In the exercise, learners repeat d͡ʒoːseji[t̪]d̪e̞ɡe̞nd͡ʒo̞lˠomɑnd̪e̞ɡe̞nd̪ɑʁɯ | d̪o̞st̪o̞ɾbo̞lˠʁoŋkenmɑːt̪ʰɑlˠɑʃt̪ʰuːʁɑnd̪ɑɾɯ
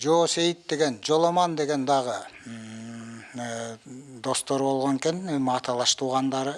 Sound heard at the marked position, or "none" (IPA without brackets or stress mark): t̪